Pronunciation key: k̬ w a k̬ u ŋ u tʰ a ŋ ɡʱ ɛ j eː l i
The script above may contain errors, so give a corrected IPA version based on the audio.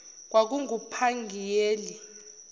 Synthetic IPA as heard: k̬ w a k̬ u ŋ u pʰ a ŋ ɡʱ i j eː l i